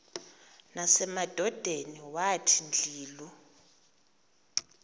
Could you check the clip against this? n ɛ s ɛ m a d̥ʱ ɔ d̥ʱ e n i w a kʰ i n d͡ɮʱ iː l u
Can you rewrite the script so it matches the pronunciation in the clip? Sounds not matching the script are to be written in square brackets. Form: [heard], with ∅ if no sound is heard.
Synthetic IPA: n [a] s ɛ m a d̥ʱ ɔ d̥ʱ e n i w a [tʰ] i n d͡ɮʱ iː l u